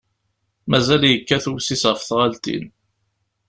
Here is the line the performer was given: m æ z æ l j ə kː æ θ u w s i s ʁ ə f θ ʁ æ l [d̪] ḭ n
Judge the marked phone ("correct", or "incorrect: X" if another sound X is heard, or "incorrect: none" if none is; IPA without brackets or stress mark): incorrect: t̪